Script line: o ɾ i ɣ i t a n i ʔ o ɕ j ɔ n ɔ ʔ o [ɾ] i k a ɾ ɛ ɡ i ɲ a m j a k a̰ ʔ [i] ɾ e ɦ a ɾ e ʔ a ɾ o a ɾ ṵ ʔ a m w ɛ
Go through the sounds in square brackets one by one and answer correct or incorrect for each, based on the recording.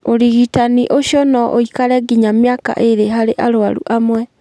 incorrect, incorrect

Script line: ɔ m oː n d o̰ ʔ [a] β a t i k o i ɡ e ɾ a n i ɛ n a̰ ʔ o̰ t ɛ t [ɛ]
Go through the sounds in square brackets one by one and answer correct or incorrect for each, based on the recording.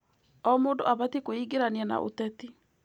correct, incorrect

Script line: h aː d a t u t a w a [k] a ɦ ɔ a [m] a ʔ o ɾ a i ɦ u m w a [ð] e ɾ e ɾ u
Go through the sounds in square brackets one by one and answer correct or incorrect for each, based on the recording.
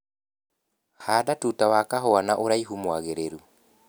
correct, incorrect, incorrect

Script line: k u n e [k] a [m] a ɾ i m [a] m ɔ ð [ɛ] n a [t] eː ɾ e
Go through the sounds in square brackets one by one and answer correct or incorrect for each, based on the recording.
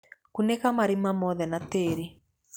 correct, correct, correct, correct, correct

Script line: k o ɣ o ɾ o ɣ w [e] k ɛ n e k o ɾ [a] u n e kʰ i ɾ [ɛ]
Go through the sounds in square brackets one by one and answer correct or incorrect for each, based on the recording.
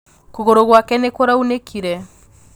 incorrect, correct, correct

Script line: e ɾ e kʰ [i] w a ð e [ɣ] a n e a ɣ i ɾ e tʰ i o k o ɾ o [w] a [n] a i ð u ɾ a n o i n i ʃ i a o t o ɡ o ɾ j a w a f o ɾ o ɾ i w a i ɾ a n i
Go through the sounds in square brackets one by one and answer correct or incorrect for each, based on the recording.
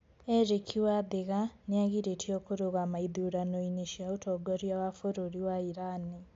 correct, correct, incorrect, incorrect

